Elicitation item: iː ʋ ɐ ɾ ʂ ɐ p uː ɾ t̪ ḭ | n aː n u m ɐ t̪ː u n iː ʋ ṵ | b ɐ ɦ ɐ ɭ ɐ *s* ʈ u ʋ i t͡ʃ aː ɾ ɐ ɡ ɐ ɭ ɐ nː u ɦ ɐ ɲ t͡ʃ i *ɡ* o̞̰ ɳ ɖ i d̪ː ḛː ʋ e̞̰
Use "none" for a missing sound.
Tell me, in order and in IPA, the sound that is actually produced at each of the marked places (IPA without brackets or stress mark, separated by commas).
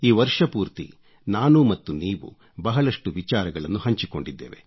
ʂ, k